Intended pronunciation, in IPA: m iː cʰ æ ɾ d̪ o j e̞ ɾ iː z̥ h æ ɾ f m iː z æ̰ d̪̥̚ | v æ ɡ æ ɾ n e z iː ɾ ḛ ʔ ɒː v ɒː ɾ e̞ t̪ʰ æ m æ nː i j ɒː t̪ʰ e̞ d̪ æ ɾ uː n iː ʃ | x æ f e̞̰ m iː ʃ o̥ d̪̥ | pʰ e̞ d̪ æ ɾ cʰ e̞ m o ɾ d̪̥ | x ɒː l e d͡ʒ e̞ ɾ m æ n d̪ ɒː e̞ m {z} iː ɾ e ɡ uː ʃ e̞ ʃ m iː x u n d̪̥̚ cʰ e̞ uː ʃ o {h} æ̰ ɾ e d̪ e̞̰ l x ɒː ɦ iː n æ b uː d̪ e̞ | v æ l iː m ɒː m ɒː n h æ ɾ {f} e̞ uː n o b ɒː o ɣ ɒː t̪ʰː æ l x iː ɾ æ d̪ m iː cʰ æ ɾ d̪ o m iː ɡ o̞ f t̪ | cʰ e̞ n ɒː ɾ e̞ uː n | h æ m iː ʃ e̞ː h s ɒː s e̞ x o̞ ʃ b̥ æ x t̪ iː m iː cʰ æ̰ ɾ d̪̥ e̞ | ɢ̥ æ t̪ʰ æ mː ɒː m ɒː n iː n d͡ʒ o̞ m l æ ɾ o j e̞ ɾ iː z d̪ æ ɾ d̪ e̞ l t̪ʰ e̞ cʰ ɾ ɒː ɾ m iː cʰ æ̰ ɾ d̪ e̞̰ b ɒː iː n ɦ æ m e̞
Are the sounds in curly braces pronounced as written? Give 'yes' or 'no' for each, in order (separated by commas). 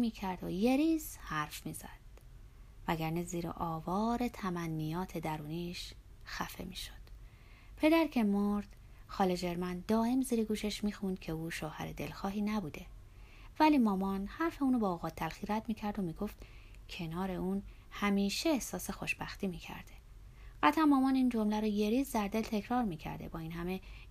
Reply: yes, yes, yes